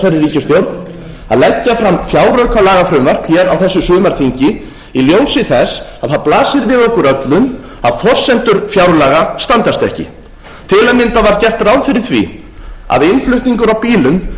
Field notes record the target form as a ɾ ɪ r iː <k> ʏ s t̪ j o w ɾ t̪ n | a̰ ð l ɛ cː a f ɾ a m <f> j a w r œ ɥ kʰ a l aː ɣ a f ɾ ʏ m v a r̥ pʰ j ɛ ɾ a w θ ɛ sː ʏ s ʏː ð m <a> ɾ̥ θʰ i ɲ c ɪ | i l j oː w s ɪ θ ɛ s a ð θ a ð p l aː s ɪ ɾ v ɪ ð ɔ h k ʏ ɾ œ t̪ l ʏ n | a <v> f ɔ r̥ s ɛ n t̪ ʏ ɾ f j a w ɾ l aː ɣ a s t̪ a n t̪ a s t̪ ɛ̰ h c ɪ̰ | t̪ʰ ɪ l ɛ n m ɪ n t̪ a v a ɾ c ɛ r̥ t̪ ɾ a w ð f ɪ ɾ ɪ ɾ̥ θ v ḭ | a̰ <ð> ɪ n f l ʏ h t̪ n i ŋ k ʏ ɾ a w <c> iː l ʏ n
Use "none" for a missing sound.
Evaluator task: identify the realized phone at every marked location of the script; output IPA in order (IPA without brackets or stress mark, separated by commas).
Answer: c, f, a, ð, ð, p